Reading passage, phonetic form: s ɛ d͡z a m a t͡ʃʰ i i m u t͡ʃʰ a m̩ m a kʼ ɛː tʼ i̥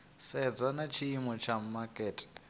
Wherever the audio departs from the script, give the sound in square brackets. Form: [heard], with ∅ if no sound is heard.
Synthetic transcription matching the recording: s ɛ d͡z a [n] a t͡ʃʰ i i m [ɔ] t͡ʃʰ a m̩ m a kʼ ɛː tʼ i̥